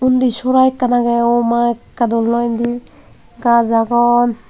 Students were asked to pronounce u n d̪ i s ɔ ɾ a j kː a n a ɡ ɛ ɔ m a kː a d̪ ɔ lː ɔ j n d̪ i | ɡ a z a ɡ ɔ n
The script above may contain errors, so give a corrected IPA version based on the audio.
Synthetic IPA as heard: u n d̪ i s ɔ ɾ a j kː a n a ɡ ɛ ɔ m a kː a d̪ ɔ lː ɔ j n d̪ i | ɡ a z a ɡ ɔ n